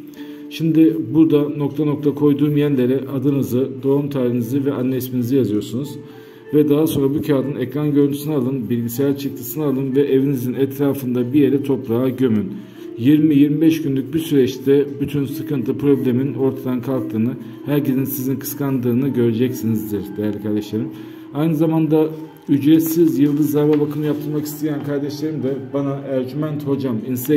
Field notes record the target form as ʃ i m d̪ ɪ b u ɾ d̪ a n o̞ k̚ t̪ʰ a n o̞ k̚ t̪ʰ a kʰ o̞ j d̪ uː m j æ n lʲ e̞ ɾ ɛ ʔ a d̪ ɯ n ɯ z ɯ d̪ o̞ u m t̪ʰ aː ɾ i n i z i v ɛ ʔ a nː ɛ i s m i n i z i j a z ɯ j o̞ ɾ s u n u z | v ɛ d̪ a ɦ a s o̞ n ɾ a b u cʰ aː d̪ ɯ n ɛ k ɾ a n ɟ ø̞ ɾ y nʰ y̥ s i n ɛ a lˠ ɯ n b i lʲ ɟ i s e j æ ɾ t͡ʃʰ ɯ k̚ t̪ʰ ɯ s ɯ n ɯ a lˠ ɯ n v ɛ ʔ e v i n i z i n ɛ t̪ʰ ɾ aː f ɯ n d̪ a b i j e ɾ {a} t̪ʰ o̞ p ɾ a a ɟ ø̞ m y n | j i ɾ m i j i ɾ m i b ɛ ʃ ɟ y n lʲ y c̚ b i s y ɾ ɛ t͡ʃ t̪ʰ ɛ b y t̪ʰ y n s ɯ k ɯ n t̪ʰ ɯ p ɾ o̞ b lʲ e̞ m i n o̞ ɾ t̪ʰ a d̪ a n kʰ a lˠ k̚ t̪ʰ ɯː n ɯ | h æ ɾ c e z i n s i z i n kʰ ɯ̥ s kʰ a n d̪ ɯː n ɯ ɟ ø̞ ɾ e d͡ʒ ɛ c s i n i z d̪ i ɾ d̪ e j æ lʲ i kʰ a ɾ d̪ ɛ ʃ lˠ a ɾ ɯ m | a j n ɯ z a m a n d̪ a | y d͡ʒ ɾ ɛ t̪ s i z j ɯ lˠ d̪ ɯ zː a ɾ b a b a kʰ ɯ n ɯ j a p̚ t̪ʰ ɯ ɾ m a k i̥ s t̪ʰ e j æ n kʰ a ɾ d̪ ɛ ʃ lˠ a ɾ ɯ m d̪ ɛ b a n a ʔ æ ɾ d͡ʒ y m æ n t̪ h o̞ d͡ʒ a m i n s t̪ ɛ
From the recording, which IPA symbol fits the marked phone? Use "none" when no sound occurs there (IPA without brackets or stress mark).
ɛ